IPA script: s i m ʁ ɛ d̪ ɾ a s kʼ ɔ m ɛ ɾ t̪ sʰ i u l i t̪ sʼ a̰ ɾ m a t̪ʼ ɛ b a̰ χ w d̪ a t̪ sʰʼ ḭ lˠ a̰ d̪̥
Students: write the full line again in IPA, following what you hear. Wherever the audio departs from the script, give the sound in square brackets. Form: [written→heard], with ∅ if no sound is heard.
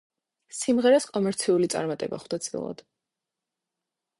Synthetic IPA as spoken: s i m ʁ ɛ [d̪→∅] ɾ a s kʼ ɔ m ɛ ɾ t̪ sʰ i u l i t̪ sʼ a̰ ɾ m a t̪ʼ ɛ b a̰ χ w d̪ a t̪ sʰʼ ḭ lˠ a̰ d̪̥

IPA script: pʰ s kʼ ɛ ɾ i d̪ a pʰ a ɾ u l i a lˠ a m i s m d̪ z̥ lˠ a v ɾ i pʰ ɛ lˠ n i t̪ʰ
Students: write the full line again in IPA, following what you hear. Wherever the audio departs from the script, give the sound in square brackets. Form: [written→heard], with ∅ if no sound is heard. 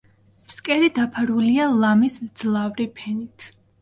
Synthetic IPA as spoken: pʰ s kʼ ɛ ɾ i d̪ a pʰ a ɾ u l i a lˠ a m i s m d̪ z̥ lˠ a v ɾ i pʰ ɛ [lˠ→∅] n i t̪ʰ

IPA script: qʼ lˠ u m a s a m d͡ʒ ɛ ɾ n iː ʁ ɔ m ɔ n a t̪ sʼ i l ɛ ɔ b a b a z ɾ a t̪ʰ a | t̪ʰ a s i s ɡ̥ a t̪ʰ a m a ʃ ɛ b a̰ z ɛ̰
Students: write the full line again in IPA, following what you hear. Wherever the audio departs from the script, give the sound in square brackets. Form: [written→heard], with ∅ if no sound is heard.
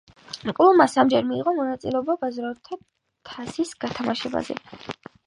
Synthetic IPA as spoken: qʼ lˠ u m a s a m d͡ʒ ɛ ɾ [n→m] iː ʁ ɔ m ɔ n a t̪ sʼ i l ɛ ɔ b a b a z ɾ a t̪ʰ a | t̪ʰ a s i s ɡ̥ a t̪ʰ a m a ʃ ɛ b a̰ z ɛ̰

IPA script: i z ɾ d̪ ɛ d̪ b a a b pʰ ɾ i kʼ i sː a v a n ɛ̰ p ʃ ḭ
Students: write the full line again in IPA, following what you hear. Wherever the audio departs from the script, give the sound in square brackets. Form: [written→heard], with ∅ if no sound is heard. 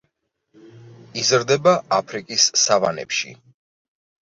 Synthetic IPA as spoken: i z ɾ d̪ ɛ [d̪→∅] b a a [b→∅] pʰ ɾ i kʼ i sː a v a n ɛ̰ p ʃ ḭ

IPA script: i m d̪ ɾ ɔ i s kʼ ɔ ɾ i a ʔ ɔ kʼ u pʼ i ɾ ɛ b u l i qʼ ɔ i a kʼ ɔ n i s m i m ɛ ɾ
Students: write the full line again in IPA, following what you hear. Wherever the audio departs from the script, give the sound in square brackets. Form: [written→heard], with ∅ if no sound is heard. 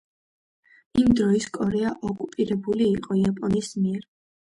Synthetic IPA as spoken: i m d̪ ɾ ɔ i s kʼ ɔ ɾ [i→ɛ] a ʔ ɔ kʼ u pʼ i ɾ ɛ b u l [i→iː] qʼ ɔ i a [kʼ→pʼ] ɔ n i s m i [m→∅] ɛ ɾ

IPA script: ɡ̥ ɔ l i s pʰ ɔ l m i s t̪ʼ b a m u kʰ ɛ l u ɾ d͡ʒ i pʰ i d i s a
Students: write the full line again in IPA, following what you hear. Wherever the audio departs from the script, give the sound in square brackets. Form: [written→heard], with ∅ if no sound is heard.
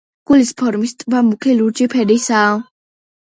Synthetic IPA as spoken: ɡ̥ [ɔ→u] l i s pʰ ɔ [l→ɾ] m i s t̪ʼ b a m u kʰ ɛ l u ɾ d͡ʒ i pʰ [i→ɛ] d i s a

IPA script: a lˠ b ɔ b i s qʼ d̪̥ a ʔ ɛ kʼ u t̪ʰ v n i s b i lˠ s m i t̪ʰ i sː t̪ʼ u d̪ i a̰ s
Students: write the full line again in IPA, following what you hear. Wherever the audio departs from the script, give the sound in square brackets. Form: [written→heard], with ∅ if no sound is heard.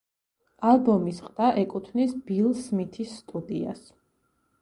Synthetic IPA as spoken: a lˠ b ɔ [b→m] i s qʼ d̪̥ a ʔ ɛ kʼ u t̪ʰ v n i s b i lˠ s m i t̪ʰ i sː t̪ʼ u d̪ i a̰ s

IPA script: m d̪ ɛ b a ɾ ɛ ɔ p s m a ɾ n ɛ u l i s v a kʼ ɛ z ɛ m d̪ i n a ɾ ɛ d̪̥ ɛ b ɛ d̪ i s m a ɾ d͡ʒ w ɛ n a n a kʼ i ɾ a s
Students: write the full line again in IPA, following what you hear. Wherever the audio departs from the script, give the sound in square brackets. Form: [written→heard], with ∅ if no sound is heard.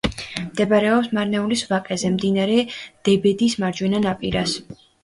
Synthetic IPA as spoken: m d̪ ɛ b a ɾ ɛ ɔ p s m a ɾ n ɛ u l i s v a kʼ ɛ z ɛ m d̪ i n a ɾ ɛ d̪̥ ɛ b ɛ d̪ i s m a ɾ d͡ʒ w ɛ n a n a [kʼ→pʼ] i ɾ a s

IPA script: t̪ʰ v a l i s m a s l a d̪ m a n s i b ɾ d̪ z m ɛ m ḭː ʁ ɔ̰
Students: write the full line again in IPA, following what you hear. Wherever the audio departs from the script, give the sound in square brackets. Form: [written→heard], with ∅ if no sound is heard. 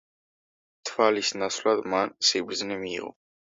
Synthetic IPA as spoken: t̪ʰ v a l i s [m→n] a s l a d̪ m a n s i b ɾ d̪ z [m→n] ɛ m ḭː ʁ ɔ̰

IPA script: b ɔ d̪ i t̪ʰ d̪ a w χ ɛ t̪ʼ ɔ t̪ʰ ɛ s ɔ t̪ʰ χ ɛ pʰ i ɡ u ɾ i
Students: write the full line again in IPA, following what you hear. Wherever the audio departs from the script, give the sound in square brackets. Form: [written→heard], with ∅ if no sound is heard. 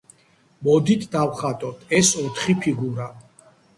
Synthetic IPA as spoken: [b→m] ɔ d̪ i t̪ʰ d̪ a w χ [ɛ→a] t̪ʼ ɔ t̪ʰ ɛ s ɔ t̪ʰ χ [ɛ→i] pʰ i ɡ u ɾ [i→a]

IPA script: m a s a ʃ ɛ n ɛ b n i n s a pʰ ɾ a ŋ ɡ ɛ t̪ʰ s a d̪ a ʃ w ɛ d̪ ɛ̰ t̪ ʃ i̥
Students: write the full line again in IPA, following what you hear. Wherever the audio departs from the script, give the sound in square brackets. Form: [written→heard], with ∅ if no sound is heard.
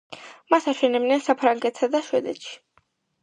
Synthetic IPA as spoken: m a s a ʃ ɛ n ɛ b n [i→ɛ] n s a pʰ ɾ a ŋ ɡ ɛ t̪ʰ s a d̪ a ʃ w ɛ d̪ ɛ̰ t̪ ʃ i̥

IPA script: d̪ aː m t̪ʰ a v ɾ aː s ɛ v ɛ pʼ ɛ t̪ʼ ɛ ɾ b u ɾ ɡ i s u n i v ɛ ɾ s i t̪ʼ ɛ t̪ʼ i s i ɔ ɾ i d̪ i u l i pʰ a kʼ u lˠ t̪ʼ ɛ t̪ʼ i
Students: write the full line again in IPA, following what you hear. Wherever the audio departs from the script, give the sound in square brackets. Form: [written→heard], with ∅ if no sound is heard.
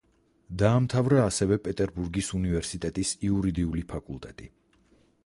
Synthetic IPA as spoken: d̪ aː m t̪ʰ a v ɾ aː s ɛ v ɛ pʼ ɛ t̪ʼ ɛ ɾ b u ɾ ɡ i s u n i v ɛ ɾ s i t̪ʼ ɛ t̪ʼ i s i [ɔ→u] ɾ i d̪ i u l i pʰ a kʼ u lˠ t̪ʼ ɛ t̪ʼ i

